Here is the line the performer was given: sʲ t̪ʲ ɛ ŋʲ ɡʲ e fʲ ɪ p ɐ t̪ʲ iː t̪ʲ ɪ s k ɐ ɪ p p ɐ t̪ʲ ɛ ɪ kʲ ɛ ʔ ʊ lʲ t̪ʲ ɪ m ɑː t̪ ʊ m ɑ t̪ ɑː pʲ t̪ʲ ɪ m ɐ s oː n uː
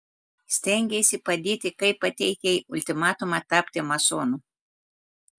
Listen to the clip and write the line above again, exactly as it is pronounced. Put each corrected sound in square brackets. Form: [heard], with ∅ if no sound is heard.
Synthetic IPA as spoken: sʲ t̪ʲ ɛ ŋʲ ɡʲ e [sʲ] ɪ p ɐ [d̪ʲ] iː t̪ʲ ɪ [∅] k ɐ ɪ p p ɐ t̪ʲ ɛ ɪ kʲ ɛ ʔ ʊ lʲ t̪ʲ ɪ m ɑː t̪ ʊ m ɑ t̪ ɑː pʲ t̪ʲ ɪ m ɐ s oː n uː

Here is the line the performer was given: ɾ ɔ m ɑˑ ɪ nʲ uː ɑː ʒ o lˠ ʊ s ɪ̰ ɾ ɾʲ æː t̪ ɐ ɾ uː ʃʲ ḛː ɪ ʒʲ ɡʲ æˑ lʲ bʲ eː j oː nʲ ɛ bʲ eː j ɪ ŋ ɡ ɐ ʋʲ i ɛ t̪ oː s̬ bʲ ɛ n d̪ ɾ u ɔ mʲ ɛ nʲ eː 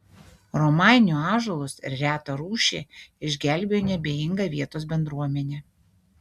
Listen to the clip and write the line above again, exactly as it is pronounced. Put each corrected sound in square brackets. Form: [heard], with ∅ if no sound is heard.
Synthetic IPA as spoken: ɾ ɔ m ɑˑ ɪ nʲ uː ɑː ʒ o lˠ ʊ s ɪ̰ ɾ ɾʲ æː t̪ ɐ ɾ uː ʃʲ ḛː ɪ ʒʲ ɡʲ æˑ lʲ bʲ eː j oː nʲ ɛ bʲ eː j ɪ ŋ ɡ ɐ ʋʲ i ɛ t̪ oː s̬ bʲ ɛ n d̪ ɾ u ɔ mʲ ɛ nʲ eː

